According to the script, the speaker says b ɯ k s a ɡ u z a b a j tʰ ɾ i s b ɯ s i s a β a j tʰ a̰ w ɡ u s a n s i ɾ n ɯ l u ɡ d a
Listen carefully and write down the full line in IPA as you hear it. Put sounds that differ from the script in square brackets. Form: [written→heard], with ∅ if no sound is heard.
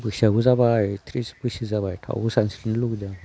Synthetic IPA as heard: b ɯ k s a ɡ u z a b a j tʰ ɾ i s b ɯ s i [s→z] a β a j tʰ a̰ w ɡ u s a n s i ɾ n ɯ l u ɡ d a